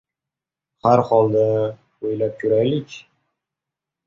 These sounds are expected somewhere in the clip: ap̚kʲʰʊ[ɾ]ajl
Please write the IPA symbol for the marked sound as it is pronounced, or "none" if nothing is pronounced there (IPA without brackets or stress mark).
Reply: ɾ